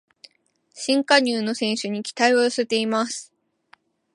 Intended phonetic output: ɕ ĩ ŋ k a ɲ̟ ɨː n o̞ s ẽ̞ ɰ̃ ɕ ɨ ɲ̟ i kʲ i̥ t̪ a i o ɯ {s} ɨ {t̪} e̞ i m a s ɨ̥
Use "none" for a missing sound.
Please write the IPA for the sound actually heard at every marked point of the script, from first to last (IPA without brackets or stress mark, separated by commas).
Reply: s, t̪